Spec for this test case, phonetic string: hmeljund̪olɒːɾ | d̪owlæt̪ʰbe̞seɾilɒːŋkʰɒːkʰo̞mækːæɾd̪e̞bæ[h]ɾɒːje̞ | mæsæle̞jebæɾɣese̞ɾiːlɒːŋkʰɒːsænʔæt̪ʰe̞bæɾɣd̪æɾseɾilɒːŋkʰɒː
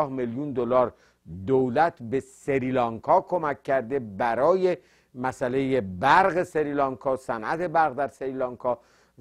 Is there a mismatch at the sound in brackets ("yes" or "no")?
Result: yes